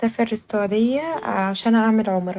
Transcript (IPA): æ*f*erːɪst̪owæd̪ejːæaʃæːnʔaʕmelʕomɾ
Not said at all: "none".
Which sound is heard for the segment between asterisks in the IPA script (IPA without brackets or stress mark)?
f